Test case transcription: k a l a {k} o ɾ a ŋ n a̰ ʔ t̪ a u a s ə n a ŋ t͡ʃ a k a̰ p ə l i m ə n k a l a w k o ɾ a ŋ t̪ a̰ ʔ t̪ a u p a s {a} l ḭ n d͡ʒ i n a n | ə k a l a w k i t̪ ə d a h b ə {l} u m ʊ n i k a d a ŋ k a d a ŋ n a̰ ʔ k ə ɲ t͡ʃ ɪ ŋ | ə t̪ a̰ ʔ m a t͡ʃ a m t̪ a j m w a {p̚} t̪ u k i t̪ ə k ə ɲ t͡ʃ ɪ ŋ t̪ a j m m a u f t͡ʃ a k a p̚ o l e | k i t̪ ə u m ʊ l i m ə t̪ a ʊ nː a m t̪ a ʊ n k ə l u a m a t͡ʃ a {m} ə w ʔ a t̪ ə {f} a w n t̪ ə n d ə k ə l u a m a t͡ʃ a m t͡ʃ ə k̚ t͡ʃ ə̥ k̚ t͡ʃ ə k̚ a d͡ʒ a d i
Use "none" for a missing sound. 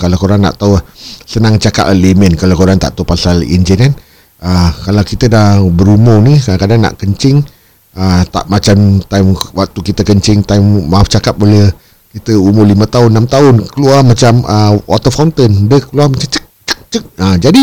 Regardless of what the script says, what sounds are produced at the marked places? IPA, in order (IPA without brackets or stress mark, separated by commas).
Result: k, a, ɾ, k̚, m, f